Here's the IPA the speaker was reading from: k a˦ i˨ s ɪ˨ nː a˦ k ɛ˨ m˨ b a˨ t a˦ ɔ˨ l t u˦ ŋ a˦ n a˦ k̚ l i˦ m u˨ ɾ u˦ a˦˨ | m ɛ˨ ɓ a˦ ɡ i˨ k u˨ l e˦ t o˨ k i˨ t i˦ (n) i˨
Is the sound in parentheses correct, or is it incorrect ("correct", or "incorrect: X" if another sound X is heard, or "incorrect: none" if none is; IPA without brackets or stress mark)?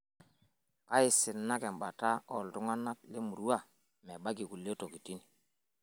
correct